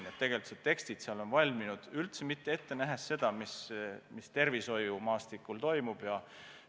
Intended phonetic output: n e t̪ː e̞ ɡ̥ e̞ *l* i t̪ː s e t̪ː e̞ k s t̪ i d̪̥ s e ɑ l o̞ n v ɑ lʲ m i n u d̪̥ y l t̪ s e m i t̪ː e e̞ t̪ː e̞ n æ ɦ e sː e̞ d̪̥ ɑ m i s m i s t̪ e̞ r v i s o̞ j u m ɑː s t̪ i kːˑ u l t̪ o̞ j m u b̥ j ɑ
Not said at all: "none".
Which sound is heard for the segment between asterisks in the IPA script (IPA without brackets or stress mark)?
l